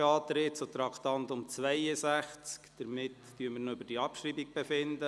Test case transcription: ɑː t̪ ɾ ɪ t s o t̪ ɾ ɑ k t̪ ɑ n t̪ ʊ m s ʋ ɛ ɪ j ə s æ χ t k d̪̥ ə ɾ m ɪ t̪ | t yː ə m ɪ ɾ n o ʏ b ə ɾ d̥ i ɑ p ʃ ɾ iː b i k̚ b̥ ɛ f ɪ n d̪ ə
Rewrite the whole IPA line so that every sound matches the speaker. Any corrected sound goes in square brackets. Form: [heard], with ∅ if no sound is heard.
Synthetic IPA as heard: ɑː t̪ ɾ ɪ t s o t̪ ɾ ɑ k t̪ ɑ n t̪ ʊ m [t͡s] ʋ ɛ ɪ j ə s æ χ [t͡s] k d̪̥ ə ɾ m ɪ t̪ | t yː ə m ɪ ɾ n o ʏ b ə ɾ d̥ i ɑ p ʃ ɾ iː b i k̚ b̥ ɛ f ɪ n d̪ ə